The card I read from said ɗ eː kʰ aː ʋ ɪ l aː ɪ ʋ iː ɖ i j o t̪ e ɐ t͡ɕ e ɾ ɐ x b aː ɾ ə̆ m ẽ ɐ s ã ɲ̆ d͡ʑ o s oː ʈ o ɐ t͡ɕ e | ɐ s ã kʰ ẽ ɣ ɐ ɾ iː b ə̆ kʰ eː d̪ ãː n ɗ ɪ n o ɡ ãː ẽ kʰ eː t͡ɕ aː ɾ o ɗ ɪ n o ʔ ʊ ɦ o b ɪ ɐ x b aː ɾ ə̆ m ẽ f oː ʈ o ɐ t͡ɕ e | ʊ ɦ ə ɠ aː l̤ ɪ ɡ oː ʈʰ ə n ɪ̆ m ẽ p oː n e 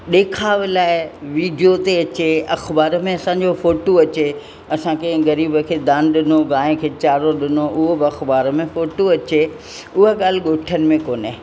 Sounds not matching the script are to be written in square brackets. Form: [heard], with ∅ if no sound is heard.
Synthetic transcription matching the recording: ɗ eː kʰ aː ʋ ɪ l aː ɪ ʋ iː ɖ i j o t̪ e ɐ t͡ɕ e [∅] ɐ x b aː ɾ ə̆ m ẽ ɐ s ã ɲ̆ d͡ʑ o [f] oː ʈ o ɐ t͡ɕ e | ɐ s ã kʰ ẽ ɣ ɐ ɾ iː b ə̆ kʰ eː d̪ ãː n ɗ ɪ n o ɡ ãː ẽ kʰ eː t͡ɕ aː ɾ o ɗ ɪ n o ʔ ʊ ɦ o b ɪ ɐ x b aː ɾ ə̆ m ẽ f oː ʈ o ɐ t͡ɕ e | ʊ ɦ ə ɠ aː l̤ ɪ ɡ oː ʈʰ ə n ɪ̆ m ẽ [k] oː n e